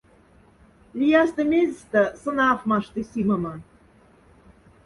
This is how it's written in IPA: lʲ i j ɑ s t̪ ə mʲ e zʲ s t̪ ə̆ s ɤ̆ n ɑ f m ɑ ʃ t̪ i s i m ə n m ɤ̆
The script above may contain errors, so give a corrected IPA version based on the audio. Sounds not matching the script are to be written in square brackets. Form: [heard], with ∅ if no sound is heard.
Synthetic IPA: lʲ i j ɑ s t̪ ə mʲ e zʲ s t̪ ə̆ s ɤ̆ n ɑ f m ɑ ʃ t̪ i s i m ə [∅] m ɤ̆